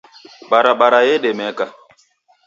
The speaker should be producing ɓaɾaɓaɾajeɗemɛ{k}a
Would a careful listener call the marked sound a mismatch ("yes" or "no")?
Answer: no